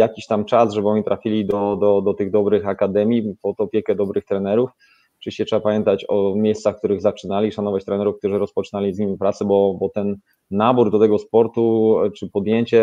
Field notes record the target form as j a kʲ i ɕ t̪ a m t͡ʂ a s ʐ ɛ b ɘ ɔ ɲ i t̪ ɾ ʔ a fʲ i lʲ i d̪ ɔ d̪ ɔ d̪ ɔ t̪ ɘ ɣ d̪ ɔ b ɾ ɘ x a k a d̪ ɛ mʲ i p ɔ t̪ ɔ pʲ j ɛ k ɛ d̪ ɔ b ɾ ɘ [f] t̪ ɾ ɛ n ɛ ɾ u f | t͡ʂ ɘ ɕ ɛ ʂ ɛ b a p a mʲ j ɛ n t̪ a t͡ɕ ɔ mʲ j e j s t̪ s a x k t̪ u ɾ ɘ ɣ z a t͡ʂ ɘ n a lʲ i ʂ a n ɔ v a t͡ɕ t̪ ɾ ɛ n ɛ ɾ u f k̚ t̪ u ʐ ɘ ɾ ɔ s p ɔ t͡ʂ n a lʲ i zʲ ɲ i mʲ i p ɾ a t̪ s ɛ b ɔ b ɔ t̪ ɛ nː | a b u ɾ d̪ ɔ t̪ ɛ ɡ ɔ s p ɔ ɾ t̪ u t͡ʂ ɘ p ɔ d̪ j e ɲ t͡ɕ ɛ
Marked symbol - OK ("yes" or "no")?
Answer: no